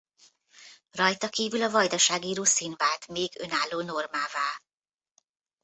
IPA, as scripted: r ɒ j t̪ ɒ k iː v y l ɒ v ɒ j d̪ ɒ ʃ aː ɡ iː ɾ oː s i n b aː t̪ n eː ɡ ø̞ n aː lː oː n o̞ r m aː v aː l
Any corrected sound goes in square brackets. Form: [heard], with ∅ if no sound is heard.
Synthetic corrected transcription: r ɒ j t̪ ɒ k iː v y l ɒ v ɒ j d̪ ɒ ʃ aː ɡ iː ɾ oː s i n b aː t̪ [m] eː ɡ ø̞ n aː lː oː n o̞ r m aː v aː l